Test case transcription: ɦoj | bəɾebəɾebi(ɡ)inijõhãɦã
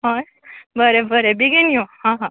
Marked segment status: correct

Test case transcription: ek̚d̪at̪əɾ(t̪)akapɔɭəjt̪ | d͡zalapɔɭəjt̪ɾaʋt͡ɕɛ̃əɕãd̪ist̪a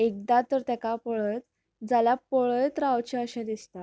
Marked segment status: correct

